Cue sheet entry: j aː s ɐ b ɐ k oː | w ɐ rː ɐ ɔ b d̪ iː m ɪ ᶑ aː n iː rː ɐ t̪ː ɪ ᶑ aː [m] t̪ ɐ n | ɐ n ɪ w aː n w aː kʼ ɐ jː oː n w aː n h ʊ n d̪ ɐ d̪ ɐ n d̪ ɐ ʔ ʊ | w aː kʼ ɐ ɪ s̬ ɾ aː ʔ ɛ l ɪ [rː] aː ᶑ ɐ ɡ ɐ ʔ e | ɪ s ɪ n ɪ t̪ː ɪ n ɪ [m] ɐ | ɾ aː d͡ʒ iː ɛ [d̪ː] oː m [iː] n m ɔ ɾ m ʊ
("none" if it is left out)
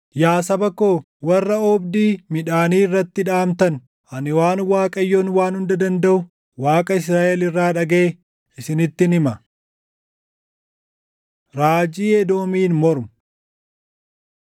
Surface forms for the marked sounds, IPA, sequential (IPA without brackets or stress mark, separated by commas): m, rː, m, d̪, iː